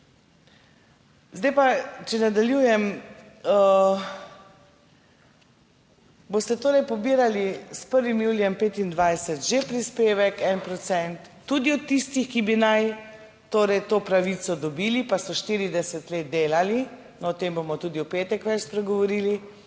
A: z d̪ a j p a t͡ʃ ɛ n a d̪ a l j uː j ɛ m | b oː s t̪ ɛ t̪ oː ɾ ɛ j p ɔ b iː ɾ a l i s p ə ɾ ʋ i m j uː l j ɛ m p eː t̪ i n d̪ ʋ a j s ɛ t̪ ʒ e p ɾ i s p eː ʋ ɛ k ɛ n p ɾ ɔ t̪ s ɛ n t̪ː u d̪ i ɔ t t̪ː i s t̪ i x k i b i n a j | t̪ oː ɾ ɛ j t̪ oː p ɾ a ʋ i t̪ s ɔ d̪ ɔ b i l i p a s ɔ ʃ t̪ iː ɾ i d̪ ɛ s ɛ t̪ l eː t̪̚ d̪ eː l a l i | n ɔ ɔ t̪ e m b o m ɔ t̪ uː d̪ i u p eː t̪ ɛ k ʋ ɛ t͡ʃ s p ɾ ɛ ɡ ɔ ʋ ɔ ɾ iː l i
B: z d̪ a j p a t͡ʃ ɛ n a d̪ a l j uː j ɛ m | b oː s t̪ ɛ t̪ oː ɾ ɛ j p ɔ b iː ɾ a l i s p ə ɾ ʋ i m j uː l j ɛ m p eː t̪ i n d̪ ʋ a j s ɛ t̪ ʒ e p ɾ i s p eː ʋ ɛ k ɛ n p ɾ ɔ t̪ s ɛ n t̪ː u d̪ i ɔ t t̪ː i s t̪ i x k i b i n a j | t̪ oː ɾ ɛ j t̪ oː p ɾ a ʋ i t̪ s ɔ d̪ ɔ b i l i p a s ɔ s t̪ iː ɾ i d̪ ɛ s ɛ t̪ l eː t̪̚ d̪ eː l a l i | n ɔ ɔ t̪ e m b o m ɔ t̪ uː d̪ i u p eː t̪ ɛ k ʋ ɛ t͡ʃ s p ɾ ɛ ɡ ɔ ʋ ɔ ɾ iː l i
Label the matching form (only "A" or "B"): A